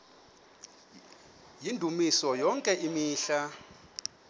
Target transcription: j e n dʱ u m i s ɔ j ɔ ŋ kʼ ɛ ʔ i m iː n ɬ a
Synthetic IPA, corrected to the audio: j i n dʱ u m i s ɔ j ɔ ŋ kʼ ɛ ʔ i m iː ɬ a